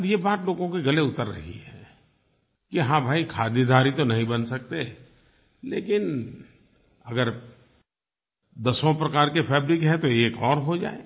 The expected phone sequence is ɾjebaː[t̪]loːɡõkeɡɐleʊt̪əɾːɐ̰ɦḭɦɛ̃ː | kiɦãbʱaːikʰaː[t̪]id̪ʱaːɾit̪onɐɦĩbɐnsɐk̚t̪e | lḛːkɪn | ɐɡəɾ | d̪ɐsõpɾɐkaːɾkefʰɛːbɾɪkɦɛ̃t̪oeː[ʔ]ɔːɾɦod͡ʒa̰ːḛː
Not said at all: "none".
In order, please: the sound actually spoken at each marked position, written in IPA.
t̪, d̪, k

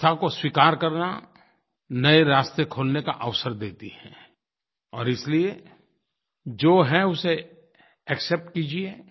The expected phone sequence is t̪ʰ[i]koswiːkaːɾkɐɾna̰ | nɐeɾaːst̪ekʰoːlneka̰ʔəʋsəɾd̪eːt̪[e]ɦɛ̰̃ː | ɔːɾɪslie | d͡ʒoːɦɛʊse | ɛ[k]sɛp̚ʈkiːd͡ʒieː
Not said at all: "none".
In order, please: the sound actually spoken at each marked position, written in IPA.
a, i, k

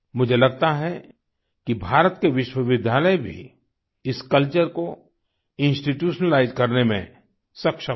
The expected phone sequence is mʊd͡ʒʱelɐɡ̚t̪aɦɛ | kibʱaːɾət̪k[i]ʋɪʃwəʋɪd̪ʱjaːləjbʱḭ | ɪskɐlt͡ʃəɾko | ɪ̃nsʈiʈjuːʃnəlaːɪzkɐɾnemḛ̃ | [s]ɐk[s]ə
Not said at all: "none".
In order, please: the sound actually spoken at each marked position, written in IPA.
e, s, ʃ

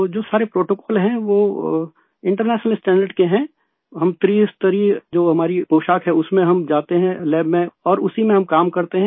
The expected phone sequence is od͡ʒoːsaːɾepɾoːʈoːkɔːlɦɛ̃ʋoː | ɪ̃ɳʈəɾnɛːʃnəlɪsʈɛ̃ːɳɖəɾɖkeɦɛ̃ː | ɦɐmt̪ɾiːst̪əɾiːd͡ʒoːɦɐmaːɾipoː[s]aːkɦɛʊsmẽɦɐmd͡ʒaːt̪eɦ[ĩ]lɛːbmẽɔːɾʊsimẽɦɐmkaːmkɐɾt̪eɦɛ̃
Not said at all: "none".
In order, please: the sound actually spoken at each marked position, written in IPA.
ʃ, ɛ̃

